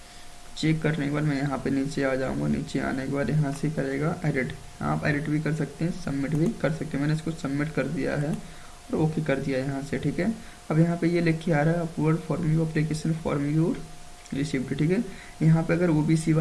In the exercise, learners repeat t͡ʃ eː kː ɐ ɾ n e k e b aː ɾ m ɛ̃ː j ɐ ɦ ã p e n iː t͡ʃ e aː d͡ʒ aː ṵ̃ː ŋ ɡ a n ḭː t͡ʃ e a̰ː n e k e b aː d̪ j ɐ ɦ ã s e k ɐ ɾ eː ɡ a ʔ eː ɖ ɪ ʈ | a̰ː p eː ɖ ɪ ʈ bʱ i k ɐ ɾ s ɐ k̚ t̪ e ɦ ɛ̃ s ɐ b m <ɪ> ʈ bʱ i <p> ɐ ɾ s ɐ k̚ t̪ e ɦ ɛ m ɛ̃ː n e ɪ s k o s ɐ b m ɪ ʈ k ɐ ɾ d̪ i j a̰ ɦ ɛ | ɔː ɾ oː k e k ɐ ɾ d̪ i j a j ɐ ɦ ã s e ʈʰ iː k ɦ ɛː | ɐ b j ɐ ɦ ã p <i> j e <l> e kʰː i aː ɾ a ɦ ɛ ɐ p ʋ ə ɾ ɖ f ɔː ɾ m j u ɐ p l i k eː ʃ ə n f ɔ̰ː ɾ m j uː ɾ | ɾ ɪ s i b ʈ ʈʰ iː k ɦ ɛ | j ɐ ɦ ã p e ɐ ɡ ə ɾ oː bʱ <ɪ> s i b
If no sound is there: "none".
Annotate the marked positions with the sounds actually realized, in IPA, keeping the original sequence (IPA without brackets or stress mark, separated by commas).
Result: ɪ, k, e, l, i